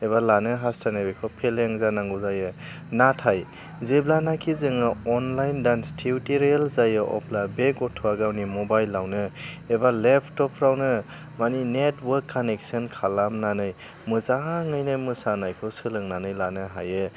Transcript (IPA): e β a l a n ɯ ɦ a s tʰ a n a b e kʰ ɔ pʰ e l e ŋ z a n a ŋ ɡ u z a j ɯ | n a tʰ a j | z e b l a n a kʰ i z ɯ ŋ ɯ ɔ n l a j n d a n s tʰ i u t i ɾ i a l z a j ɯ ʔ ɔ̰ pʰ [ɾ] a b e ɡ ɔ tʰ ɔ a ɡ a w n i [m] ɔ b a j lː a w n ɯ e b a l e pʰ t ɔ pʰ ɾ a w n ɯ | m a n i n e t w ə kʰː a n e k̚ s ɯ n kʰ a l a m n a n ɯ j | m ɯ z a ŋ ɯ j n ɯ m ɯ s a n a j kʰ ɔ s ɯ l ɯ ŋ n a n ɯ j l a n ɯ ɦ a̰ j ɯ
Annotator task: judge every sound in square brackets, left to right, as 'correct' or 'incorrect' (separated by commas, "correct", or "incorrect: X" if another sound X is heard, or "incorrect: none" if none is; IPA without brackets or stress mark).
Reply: incorrect: l, correct